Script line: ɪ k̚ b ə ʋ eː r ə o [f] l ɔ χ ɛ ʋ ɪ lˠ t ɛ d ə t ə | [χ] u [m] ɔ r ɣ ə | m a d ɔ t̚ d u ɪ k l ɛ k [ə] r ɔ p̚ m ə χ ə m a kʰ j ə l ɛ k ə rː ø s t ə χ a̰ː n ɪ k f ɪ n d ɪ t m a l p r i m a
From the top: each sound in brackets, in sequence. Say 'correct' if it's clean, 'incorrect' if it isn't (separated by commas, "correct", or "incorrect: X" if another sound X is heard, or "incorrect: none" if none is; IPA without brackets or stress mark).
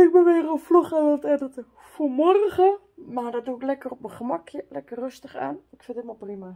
correct, incorrect: f, correct, correct